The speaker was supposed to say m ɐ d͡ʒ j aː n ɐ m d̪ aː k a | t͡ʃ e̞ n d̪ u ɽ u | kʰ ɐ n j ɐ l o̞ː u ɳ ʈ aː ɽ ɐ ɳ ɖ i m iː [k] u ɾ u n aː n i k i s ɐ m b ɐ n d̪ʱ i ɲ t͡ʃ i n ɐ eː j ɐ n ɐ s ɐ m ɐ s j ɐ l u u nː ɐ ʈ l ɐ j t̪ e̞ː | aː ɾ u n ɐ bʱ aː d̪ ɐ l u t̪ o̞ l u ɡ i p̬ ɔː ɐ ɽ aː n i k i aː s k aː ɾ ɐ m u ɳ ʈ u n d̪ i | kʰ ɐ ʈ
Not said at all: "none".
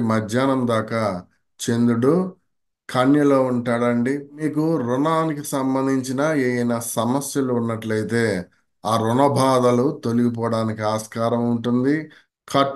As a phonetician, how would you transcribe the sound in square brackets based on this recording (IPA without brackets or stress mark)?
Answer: k